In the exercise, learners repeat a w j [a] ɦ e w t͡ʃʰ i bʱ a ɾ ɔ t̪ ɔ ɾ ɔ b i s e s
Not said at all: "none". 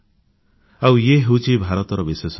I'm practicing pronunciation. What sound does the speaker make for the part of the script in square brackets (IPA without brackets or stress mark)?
e